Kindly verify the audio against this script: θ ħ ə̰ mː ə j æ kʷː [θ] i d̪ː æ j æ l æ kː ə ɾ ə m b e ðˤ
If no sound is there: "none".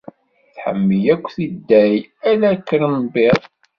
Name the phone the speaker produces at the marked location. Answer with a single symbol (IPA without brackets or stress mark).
θ